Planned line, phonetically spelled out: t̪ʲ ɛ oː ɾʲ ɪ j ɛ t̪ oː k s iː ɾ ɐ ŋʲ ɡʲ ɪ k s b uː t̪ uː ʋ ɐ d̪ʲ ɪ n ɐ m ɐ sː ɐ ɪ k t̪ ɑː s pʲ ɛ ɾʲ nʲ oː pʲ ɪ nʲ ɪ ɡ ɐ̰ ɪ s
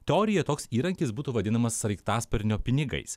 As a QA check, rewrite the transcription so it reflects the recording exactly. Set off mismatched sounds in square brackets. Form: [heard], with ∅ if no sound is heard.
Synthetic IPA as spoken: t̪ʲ ɛ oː ɾʲ ɪ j ɛ t̪ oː k s iː ɾ ɐ ŋʲ [kʲ] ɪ [∅] s b uː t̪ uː ʋ ɐ d̪ʲ ɪ n ɐ m ɐ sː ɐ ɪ k t̪ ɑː s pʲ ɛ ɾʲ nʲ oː pʲ ɪ nʲ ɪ ɡ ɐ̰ ɪ s